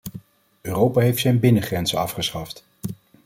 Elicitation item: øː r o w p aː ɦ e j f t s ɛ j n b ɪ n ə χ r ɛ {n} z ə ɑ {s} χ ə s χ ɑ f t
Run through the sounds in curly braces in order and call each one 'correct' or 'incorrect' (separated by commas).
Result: correct, incorrect